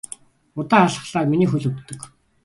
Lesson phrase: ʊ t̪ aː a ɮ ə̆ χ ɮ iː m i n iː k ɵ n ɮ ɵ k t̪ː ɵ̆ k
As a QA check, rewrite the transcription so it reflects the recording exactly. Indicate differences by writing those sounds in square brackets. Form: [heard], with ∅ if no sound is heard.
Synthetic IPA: ʊ t̪ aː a ɮ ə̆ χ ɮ [aː] m i n iː [x] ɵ [∅] ɮ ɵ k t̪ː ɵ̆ k

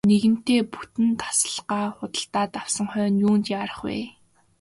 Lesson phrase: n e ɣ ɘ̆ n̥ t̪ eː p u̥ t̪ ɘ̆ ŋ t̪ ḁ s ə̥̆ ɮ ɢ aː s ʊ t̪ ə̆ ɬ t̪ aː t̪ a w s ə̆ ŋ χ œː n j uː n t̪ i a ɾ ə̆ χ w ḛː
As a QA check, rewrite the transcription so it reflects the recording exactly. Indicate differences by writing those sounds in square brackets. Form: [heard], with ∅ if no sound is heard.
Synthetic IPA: n e ɣ ɘ̆ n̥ t̪ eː p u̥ t̪ ɘ̆ [n] t̪ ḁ s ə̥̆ ɮ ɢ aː [χ] ʊ t̪ ə̆ ɬ t̪ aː t̪ a w s ə̆ ŋ χ œː n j uː n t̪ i a ɾ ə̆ χ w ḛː

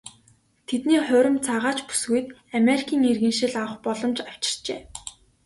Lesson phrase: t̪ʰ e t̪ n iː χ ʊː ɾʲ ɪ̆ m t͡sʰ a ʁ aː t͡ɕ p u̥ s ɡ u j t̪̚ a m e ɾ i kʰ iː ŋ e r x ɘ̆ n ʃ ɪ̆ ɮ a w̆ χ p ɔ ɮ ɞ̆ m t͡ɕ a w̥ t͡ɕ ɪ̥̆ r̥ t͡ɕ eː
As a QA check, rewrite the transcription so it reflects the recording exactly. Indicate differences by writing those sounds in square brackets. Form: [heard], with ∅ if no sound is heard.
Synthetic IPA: t̪ʰ e t̪ n iː χ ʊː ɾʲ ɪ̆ m t͡sʰ a ʁ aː t͡ɕ p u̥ s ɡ u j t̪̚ a m e ɾ i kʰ iː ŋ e r [ɣ] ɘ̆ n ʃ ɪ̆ ɮ a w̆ χ p ɔ ɮ ɞ̆ m t͡ɕ a w̥ t͡ɕ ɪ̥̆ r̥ t͡ɕ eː

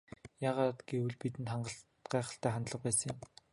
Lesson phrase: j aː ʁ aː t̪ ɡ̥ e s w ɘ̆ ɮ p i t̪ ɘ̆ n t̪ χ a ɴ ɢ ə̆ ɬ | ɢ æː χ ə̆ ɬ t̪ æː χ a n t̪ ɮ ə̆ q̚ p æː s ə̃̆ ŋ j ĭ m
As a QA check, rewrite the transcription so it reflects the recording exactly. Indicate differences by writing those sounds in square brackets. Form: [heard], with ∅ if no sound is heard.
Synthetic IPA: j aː ʁ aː t̪ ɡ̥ e [∅] w ɘ̆ ɮ p i t̪ ɘ̆ n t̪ χ a ɴ ɢ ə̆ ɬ | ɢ æː χ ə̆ ɬ t̪ æː χ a n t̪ ɮ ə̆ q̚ p æː s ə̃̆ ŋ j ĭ m

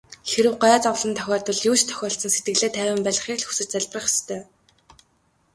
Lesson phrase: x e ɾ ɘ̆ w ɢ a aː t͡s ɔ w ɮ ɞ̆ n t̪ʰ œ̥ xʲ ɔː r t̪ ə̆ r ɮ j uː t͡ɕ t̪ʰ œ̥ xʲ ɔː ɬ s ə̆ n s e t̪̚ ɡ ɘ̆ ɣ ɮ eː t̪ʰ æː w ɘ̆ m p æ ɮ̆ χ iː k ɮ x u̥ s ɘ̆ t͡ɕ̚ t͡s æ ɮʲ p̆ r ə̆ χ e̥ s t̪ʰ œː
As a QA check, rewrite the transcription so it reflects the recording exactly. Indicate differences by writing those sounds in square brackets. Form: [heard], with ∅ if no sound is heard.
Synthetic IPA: x e ɾ ɘ̆ w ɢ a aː t͡s ɔ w ɮ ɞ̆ n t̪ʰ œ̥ xʲ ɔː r t̪ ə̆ [∅] ɮ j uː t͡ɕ t̪ʰ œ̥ xʲ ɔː ɬ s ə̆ n s e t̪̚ ɡ ɘ̆ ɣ ɮ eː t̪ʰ æː w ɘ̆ m p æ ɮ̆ χ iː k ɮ x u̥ s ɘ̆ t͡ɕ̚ t͡s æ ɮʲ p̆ r ə̆ χ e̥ s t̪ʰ œː

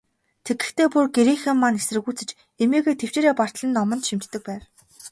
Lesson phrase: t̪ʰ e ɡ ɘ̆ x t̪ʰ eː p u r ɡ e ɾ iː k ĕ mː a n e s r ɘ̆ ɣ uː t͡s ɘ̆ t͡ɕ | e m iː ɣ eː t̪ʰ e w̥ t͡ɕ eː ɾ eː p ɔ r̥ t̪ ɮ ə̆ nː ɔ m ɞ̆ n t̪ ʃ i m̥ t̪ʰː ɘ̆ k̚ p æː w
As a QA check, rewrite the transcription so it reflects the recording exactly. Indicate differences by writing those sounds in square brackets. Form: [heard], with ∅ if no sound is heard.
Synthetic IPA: t̪ʰ e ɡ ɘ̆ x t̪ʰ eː p u r ɡ e ɾ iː [x] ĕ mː a n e s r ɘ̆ ɣ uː t͡s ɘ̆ t͡ɕ | e m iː ɣ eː t̪ʰ e w̥ t͡ɕ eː ɾ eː p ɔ r̥ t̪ ɮ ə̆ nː ɔ m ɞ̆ n t̪ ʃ i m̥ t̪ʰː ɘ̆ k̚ p æː w

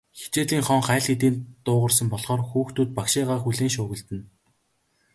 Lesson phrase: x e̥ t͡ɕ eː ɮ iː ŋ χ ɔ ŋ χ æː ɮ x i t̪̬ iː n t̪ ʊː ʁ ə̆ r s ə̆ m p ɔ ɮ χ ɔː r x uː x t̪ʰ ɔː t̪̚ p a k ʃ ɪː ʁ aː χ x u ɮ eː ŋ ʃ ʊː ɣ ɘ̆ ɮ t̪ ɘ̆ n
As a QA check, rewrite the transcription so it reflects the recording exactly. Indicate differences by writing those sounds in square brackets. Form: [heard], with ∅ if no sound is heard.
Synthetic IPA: x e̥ t͡ɕ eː ɮ iː ŋ χ ɔ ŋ χ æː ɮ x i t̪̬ iː n t̪ ʊː ʁ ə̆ r s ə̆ m p ɔ ɮ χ ɔː r x uː x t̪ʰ [uː] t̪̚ p a k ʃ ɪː ʁ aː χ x u ɮ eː ŋ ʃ ʊː ɣ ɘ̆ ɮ t̪ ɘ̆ n

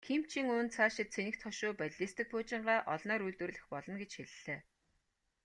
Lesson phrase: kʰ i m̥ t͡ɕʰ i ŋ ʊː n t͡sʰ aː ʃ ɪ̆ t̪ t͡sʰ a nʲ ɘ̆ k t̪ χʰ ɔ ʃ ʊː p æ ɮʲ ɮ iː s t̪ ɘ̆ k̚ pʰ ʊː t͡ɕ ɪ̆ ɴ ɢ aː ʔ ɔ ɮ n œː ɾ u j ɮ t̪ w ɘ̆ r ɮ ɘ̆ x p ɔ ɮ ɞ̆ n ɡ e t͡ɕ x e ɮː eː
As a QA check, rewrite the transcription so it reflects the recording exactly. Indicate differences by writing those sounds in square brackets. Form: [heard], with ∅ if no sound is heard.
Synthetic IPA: kʰ i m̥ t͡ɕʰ i ŋ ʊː n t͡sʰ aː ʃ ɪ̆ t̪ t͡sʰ [e] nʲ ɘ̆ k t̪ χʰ ɔ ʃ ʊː p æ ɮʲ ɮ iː s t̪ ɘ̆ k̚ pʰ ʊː t͡ɕ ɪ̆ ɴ ɢ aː ʔ ɔ ɮ n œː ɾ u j ɮ t̪ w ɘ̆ r ɮ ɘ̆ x p ɔ ɮ ɞ̆ n ɡ e t͡ɕ x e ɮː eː

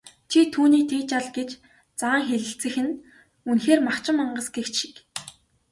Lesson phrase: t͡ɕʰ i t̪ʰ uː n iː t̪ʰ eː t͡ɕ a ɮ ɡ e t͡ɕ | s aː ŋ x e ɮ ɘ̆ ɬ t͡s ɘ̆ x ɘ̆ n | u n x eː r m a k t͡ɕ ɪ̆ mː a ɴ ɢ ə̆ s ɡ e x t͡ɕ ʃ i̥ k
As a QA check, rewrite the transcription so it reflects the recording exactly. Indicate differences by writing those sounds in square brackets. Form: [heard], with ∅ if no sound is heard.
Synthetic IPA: t͡ɕʰ i t̪ʰ uː n iː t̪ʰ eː t͡ɕ a ɮ ɡ e t͡ɕ | [t͡s] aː ŋ x e ɮ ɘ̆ ɬ t͡s ɘ̆ x ɘ̆ n | u n x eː r m a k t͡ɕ ɪ̆ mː a ɴ ɢ ə̆ s ɡ e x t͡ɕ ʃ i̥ k

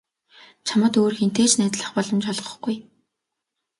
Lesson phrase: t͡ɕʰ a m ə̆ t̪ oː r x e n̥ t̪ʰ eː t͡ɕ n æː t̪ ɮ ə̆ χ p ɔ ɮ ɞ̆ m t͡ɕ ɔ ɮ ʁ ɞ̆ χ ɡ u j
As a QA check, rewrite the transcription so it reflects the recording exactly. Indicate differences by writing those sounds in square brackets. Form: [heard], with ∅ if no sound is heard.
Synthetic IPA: t͡ɕʰ a m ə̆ t̪ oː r x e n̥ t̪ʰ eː t͡ɕ n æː t̪ ɮ ə̆ χ p ɔ ɮ ɞ̆ m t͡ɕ ɔ ɮ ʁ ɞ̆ χ ɡ u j

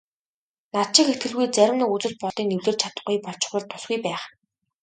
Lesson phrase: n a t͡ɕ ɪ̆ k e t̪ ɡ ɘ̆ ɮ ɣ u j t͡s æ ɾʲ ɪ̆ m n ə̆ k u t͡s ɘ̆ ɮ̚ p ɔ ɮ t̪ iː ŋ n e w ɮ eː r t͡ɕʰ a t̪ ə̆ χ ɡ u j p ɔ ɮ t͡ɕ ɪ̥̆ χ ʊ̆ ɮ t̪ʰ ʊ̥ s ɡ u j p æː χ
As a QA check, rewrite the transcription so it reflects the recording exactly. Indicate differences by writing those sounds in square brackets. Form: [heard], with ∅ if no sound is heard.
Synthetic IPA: n a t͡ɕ ɪ̆ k e t̪ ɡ ɘ̆ ɮ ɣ u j t͡s æ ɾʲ ɪ̆ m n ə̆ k u t͡s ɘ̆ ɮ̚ p ɔ ɮ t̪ iː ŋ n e w ɮ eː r t͡ɕʰ a t̪ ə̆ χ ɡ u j p ɔ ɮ t͡ɕ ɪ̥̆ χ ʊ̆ ɮ t̪ʰ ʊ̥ s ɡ u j p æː χ

